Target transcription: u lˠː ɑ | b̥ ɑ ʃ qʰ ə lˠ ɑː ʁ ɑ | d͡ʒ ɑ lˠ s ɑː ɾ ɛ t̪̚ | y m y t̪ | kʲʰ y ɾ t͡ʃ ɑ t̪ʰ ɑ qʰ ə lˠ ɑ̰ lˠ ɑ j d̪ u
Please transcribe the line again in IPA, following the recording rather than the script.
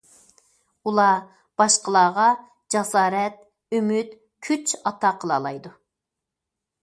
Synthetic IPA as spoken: u lˠ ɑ | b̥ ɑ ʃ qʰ ə lˠ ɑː ʁ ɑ | d͡ʒ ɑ s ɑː ɾ ɛ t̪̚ | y m y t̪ | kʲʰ y t͡ʃ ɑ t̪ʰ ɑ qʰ ə lˠ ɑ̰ lˠ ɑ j d̪ u